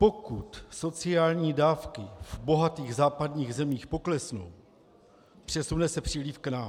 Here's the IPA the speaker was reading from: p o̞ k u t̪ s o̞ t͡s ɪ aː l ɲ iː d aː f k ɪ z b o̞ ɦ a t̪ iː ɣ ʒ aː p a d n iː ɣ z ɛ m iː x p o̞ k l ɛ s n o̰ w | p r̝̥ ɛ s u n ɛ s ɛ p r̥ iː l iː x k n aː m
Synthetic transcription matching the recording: p o̞ k u t̪ s o̞ t͡s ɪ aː l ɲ iː d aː f k ɪ v b o̞ ɦ a t̪ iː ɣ z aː p a d ɲ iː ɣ z ɛ m iː x p o̞ k l ɛ s n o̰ w | p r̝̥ ɛ s u n ɛ s ɛ p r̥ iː l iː f k n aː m